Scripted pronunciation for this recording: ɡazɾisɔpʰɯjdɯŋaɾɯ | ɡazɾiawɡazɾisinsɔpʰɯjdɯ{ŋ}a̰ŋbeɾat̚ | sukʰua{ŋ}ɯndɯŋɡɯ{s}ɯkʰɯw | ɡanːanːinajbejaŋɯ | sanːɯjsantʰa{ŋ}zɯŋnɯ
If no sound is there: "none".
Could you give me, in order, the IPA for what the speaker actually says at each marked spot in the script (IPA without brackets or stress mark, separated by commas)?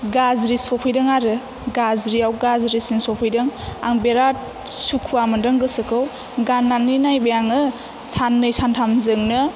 ŋ, m, s, m